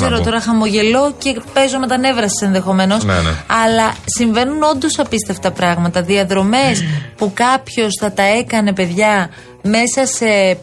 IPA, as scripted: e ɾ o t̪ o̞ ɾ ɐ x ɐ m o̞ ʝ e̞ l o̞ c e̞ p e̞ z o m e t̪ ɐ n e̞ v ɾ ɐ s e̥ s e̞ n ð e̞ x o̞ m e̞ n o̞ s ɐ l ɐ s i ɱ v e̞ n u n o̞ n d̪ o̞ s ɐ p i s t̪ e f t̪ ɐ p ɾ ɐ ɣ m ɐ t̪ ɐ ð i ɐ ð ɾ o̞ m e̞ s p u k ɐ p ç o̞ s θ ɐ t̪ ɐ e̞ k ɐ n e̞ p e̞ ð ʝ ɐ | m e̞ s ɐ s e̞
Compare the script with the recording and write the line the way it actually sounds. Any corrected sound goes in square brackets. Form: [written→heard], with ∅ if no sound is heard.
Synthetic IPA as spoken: e ɾ o t̪ o̞ ɾ ɐ x ɐ m o̞ ʝ e̞ l o̞ c e̞ p e̞ z o m e t̪ ɐ n e̞ v ɾ ɐ s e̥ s e̞ n ð e̞ x o̞ m e̞ n o̞ s ɐ l ɐ s i ɱ v e̞ n u n o̞ n d̪ o̞ s ɐ p i s t̪ e f t̪ ɐ p ɾ ɐ ɣ m ɐ t̪ ɐ ð i ɐ ð ɾ o̞ m e̞ s p u k ɐ p ç o̞ s θ ɐ t̪ ɐ e̞ k ɐ n e̞ p e̞ ð ʝ ɐ | m e̞ s ɐ s e̞